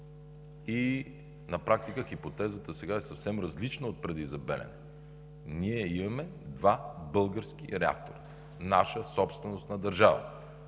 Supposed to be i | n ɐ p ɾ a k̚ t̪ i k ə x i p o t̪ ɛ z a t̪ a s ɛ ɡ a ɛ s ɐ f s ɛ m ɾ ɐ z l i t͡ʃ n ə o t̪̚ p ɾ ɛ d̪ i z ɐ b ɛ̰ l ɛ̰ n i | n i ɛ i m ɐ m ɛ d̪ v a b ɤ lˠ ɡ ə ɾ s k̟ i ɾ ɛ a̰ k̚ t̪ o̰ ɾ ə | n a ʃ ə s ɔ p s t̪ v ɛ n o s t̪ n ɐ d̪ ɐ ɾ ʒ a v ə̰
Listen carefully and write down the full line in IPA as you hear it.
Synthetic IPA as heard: i | n ɐ p ɾ a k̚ t̪ i k ə x i p o t̪ ɛ z ə t̪ ə s ɛ ɡ a ɛ s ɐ f s ɛ m ɾ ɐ z l i t͡ʃ n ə o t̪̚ p ɾ ɛ d̪ i z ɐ b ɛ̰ l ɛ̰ n ɛ | n i ɛ i m ɐ m ɛ d̪ v a b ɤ lˠ ɡ ə ɾ s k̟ i ɾ ɛ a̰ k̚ t̪ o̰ ɾ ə | n a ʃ ə s ɔ p s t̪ v ɛ n o s t̪ n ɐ d̪ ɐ ɾ ʒ a v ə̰